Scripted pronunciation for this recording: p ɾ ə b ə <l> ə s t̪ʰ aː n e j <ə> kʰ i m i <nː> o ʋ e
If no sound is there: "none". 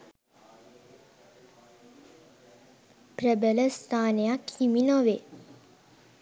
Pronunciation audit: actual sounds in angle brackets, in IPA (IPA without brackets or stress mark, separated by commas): l, a, n